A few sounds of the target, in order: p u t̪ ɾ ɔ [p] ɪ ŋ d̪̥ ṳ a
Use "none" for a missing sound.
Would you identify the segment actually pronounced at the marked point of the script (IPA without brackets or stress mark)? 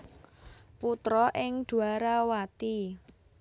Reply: ʔ